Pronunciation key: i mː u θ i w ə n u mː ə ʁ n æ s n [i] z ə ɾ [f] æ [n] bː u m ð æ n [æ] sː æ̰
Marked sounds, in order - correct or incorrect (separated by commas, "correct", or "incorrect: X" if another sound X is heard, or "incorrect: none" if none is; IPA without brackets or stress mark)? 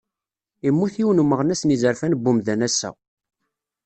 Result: correct, correct, correct, correct